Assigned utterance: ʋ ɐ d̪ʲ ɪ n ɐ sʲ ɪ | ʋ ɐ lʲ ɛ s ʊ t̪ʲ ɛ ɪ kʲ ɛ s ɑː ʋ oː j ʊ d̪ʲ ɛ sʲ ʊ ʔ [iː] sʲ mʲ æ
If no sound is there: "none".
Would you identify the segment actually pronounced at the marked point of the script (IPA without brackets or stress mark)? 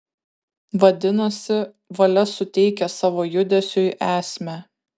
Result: æː